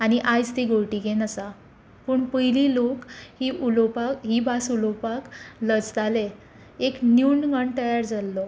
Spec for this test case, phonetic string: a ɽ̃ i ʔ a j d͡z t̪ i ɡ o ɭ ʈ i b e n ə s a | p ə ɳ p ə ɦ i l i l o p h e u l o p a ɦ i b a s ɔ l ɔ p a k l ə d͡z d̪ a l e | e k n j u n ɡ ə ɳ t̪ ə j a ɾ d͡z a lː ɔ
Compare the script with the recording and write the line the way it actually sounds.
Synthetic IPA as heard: a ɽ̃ i ʔ a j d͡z t̪ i ɡ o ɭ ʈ i ɡ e n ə s a | p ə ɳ p ə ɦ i l i l o k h i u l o p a ɦ i b a s u l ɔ p a k l ə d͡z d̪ a l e | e k n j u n ɡ ə ɳ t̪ ə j a ɾ d͡z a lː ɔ